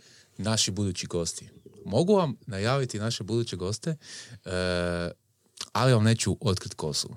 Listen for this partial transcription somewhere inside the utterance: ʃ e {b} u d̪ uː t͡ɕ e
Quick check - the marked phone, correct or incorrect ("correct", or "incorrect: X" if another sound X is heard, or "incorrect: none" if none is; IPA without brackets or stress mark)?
correct